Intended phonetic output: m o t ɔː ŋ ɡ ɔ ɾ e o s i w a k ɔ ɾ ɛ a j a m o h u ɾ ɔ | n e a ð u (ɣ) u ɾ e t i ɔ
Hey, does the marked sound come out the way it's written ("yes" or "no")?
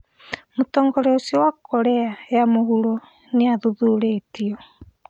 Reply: no